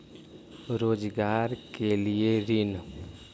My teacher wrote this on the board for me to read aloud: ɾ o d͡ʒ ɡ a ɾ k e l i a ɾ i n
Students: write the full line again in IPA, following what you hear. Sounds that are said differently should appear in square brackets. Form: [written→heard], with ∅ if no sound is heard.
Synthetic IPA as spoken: ɾ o d͡ʒ ɡ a ɾ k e l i [a→e] ɾ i n